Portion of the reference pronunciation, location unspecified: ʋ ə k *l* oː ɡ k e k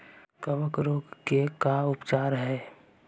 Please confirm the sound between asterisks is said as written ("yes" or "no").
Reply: no